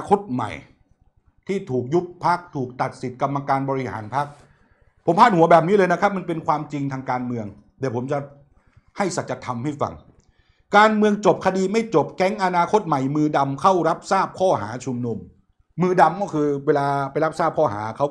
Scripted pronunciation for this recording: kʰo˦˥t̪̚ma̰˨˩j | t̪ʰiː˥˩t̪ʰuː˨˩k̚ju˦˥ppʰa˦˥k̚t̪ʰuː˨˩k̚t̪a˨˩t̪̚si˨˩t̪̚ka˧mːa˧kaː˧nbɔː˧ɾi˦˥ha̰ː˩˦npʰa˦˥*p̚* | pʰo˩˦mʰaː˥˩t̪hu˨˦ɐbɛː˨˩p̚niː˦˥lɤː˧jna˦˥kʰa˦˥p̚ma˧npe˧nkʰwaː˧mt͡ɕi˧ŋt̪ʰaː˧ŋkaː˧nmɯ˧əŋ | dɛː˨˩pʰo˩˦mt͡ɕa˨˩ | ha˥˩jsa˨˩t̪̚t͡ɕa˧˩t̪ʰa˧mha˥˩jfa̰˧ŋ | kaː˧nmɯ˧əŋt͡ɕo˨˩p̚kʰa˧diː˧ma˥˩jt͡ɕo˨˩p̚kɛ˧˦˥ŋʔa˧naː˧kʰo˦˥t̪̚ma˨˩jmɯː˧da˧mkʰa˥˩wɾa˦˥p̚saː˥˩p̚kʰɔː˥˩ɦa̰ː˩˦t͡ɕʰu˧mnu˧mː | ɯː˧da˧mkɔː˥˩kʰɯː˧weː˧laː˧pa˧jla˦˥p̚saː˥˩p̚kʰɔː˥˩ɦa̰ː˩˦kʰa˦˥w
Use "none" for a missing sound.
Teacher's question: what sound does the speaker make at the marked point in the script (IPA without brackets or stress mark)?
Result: k̚